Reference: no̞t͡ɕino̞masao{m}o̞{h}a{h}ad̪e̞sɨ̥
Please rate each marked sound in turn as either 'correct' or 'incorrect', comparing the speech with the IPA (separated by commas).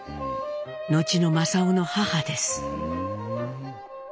incorrect, correct, correct